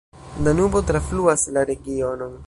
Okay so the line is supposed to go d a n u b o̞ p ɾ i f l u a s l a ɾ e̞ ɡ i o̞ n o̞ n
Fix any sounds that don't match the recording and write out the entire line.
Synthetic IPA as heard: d a n u b o̞ t ɾ a f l u a s l a ɾ e̞ ɡ i o̞ n o̞ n